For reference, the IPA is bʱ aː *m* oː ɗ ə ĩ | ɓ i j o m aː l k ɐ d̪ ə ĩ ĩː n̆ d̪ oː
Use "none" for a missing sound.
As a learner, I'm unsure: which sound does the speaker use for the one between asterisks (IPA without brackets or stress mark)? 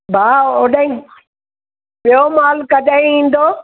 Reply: none